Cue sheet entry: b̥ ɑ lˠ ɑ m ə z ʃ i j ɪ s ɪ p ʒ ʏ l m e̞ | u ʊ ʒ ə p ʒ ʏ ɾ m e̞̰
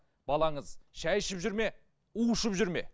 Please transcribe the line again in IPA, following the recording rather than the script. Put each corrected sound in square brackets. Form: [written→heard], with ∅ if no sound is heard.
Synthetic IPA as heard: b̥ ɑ lˠ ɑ [m→ɴ] ə z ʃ [i→æ] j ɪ [s→ʃ] ɪ p ʒ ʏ [l→ɾ] m e̞ | u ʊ [ʒ→ʃ] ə p ʒ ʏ ɾ m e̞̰